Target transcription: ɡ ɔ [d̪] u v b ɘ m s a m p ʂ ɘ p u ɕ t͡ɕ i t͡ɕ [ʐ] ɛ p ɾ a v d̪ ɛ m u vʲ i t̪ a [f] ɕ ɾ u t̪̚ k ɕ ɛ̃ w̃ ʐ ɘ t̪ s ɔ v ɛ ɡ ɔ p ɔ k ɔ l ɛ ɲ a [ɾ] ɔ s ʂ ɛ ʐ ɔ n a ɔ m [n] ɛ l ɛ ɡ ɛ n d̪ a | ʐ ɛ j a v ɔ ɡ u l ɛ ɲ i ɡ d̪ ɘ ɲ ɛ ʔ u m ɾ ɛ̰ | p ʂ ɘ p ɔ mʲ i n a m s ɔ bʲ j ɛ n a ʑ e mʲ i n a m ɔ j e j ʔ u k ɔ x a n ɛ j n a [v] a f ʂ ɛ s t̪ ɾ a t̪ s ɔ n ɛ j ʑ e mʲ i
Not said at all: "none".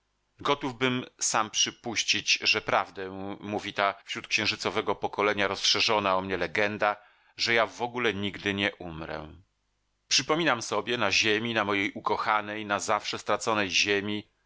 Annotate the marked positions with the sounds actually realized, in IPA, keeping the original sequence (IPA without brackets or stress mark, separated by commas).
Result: t̪, ʐ, f, ɾ, ɲ, z